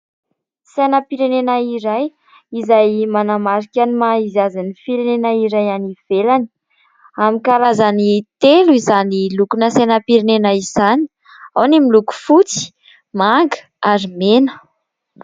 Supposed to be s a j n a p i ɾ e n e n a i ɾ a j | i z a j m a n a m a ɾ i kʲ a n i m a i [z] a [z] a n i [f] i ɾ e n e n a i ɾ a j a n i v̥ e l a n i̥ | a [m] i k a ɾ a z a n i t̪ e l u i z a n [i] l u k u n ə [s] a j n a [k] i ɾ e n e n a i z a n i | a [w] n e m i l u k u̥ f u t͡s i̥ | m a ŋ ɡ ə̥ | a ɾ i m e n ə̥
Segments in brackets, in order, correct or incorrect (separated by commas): correct, correct, correct, correct, correct, correct, incorrect, correct